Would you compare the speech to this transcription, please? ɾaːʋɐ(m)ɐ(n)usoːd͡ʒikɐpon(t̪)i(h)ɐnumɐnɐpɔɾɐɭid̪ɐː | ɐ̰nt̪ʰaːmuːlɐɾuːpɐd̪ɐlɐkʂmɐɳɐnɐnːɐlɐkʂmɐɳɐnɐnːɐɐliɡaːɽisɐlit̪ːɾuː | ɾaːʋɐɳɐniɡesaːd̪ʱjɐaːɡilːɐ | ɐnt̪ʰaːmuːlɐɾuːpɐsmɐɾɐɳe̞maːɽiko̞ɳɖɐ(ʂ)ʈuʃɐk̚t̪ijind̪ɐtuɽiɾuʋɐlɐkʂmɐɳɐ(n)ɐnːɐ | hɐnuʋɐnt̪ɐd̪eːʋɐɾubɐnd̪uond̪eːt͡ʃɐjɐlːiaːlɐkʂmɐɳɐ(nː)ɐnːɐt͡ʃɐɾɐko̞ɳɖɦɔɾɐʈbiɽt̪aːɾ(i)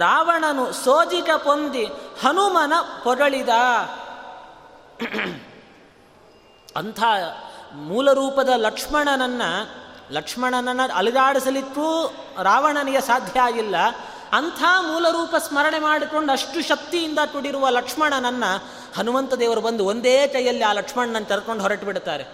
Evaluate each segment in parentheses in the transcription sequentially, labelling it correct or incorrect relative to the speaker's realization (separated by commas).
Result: incorrect, correct, incorrect, correct, correct, correct, incorrect, incorrect